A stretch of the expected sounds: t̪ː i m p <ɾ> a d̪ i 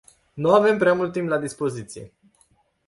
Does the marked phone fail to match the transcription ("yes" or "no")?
yes